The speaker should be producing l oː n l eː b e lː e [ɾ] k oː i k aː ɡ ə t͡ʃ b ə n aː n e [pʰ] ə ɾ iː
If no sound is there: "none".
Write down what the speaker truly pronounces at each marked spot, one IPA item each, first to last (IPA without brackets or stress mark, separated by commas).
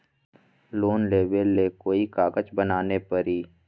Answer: none, p